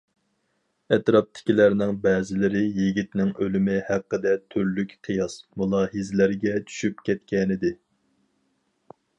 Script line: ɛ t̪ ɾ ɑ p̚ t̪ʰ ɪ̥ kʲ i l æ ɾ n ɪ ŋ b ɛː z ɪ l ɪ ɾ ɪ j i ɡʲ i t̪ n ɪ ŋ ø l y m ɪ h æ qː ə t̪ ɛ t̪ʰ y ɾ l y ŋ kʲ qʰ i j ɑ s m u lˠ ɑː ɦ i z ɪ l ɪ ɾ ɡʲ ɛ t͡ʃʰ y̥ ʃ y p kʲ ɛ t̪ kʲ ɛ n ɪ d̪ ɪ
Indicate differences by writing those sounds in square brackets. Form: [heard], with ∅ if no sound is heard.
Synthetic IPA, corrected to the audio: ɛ t̪ ɾ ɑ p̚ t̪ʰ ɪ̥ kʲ i l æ ɾ n ɪ ŋ b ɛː z ɪ l ɪ ɾ ɪ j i ɡʲ i t̪ n ɪ ŋ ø l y m ɪ h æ qː ə [d̪] ɛ t̪ʰ y ɾ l y [∅] kʲ qʰ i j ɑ s m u lˠ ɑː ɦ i z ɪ l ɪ ɾ ɡʲ ɛ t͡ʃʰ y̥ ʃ y p kʲ ɛ t̪ kʲ ɛ n ɪ d̪ ɪ

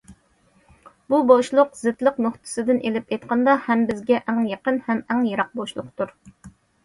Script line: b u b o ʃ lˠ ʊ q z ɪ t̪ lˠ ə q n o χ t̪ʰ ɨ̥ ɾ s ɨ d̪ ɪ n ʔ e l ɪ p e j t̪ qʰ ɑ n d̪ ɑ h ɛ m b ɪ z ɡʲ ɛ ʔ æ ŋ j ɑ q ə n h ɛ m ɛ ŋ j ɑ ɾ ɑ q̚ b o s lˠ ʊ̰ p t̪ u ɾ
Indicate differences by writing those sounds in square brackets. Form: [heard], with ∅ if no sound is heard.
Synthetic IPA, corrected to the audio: b u b o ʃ lˠ ʊ q z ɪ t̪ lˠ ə q n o χ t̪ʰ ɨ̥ [∅] s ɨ d̪ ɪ n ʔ e l ɪ p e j t̪ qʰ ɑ n d̪ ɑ h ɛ m b ɪ z ɡʲ ɛ ʔ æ ŋ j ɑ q ə n h ɛ m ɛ ŋ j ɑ ɾ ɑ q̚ b o [ʃ] lˠ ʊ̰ [q] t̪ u ɾ

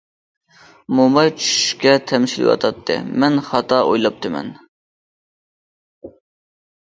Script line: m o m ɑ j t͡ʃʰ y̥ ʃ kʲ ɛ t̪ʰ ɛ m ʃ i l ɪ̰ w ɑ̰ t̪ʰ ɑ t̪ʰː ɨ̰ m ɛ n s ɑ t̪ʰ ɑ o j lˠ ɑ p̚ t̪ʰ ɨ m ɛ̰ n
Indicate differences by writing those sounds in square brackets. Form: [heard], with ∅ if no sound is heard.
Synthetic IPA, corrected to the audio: m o m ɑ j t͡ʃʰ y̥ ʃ kʲ ɛ t̪ʰ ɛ m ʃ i l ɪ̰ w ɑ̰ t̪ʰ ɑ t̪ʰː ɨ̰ m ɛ n [χ] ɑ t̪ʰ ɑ o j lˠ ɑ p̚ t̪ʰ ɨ m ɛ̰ n

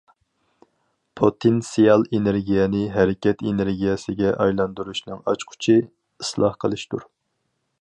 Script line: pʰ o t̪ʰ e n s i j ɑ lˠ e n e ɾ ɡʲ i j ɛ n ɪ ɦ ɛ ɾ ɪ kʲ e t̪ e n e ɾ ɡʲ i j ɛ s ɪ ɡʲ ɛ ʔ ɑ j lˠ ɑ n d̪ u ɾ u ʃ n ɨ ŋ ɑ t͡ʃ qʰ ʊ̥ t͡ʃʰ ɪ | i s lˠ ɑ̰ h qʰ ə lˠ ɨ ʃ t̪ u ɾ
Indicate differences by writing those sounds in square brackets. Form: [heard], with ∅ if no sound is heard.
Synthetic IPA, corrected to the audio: pʰ o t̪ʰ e n s i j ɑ lˠ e n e ɾ ɡʲ i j ɛ n ɪ ɦ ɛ ɾ ɪ kʲ [ɛ] t̪ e n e ɾ ɡʲ i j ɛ s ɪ ɡʲ ɛ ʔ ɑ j lˠ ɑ n d̪ u ɾ u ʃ n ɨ ŋ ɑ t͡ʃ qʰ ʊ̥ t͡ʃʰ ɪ | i s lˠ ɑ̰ h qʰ ə lˠ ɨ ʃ t̪ u ɾ

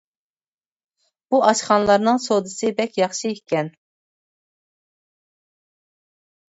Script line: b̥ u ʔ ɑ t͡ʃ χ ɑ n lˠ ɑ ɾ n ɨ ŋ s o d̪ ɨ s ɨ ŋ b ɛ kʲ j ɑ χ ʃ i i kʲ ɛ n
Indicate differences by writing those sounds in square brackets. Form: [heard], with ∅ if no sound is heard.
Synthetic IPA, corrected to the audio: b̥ u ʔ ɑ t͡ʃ χ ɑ n lˠ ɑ ɾ n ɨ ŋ s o d̪ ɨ s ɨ [∅] b ɛ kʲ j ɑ χ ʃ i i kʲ ɛ n

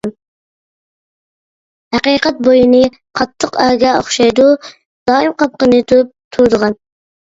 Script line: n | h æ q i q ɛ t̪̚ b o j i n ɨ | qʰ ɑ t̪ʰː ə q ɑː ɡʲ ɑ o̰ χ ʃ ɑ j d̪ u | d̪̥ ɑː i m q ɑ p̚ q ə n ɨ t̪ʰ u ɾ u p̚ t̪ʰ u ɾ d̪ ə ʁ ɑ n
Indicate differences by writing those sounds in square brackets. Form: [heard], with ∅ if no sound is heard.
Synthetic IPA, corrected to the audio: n | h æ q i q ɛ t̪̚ b o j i n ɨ | qʰ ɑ t̪ʰː ə q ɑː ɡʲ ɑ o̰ χ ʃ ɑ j d̪ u | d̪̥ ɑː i m q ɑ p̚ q ə n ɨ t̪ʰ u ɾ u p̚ t̪ʰ u ɾ d̪ ə ʁ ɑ n

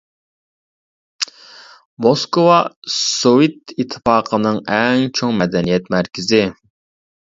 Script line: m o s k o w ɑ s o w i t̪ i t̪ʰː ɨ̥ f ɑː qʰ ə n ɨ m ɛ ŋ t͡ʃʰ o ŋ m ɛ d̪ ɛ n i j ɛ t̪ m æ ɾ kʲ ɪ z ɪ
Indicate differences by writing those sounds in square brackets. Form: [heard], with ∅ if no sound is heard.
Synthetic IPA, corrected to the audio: m o s k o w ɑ s o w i t̪ i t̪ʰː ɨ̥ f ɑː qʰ ə n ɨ [ŋ] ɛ ŋ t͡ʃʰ o ŋ m ɛ d̪ ɛ n i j ɛ t̪ m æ ɾ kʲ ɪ z ɪ

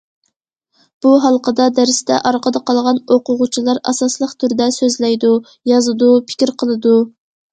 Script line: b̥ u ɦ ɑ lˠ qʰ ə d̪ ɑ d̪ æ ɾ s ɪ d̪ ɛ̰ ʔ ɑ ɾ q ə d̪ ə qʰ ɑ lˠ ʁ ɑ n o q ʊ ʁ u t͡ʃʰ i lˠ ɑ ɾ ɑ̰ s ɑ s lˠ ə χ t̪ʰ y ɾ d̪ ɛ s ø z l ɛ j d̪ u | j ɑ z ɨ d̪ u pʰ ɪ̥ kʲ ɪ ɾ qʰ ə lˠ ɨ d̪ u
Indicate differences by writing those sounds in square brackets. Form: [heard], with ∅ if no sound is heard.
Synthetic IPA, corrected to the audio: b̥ u ɦ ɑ lˠ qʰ ə d̪ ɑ d̪ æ ɾ s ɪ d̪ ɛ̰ ʔ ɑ ɾ q ə d̪ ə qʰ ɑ lˠ ʁ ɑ n o q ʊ ʁ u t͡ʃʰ i lˠ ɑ ɾ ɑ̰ s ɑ s lˠ ə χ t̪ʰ y ɾ d̪ ɛ s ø z l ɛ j d̪ u | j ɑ z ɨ d̪ u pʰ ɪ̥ kʲ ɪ ɾ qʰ ə lˠ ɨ d̪ u

